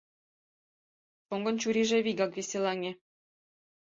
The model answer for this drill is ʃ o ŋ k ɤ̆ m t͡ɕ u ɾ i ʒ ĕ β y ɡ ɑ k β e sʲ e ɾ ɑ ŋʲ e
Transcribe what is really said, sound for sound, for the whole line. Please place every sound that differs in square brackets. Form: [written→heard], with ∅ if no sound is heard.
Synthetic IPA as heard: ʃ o ŋ [k→ɡ] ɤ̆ [m→n] t͡ɕ u ɾ i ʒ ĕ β [y→i] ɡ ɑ k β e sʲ e [ɾ→l] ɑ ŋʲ e